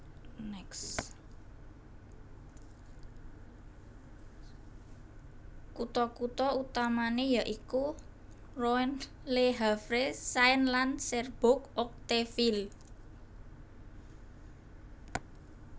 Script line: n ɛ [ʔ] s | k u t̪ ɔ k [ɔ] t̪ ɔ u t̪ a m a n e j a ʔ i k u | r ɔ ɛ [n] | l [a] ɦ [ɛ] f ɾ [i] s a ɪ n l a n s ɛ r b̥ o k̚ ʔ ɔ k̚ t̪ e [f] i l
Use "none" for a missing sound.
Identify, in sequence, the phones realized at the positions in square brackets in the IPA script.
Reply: k, u, n, e, a, e, f

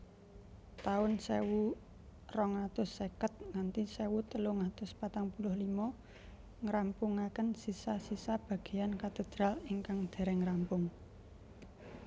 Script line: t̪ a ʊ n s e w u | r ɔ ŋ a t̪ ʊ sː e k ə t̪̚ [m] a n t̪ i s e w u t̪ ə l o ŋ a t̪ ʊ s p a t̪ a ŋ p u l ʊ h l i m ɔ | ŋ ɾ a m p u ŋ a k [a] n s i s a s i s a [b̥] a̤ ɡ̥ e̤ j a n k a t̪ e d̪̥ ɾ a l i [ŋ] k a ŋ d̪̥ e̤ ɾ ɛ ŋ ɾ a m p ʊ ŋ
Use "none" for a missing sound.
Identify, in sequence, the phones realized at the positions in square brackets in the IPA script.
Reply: ŋ, ə, b̥, ŋ

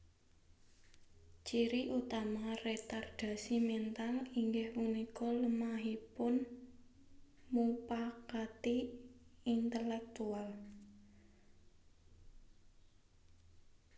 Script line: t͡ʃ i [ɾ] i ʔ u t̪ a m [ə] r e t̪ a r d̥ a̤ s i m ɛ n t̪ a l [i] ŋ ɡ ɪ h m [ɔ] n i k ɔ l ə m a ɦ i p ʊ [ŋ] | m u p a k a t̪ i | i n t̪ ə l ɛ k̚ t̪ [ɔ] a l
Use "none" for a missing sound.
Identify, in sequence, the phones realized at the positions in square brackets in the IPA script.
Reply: ɾ, a, i, u, n, u

